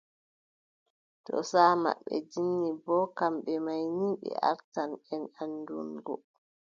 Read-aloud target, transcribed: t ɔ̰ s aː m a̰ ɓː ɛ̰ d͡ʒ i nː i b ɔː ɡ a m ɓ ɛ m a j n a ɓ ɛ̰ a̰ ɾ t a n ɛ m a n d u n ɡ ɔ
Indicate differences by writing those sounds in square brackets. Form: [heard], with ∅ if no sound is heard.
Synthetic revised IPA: t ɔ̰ s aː m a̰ ɓː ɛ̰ d͡ʒ i nː i b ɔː [k] a m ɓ ɛ m a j n [i] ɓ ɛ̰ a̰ ɾ t a n ɛ [n] a n d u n ɡ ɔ